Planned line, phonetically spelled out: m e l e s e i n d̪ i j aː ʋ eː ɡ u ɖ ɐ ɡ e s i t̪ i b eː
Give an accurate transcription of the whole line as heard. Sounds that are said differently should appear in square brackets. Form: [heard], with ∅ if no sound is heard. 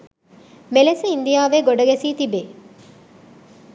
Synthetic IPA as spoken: m e l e s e i n d̪ i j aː ʋ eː ɡ [o] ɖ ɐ ɡ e s [iː] t̪ i b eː